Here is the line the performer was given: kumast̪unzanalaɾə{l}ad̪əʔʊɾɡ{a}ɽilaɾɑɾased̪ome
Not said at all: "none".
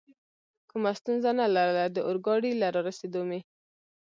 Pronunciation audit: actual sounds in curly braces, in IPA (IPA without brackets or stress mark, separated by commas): l, ɑ